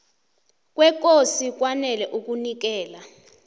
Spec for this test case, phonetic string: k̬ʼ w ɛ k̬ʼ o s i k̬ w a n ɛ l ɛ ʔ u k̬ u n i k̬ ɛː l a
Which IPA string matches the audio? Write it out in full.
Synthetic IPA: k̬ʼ w ɛ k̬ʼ o s i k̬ w a n ɛ l ɛ ʔ u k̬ u n i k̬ ɛː l a